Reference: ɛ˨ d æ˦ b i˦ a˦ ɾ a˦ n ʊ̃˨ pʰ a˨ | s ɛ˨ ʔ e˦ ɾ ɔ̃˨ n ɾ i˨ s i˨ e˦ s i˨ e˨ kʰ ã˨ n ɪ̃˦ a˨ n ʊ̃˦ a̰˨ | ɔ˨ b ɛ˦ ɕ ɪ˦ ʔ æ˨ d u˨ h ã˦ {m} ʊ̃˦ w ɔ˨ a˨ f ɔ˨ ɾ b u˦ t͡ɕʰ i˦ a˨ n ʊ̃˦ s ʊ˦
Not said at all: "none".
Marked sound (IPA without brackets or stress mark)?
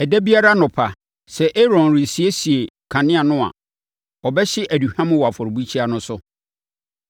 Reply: m